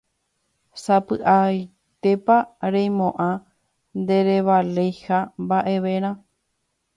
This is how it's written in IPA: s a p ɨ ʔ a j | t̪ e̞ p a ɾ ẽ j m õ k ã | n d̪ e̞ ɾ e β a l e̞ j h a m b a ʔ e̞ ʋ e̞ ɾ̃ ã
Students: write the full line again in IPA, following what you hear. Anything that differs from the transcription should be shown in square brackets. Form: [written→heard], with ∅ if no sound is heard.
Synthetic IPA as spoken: s a p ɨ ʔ a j | t̪ e̞ p a ɾ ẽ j m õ [k→ʔ] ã | n d̪ e̞ ɾ e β a l e̞ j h a m b a ʔ e̞ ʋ e̞ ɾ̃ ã